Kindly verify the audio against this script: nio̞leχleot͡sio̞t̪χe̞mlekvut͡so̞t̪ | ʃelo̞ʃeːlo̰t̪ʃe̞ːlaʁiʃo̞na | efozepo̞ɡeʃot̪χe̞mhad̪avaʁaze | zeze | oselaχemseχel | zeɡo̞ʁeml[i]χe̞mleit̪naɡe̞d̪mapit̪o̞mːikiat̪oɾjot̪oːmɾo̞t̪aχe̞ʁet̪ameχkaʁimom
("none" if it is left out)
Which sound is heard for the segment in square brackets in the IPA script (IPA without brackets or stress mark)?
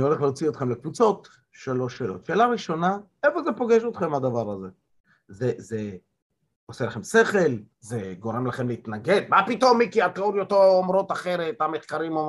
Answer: a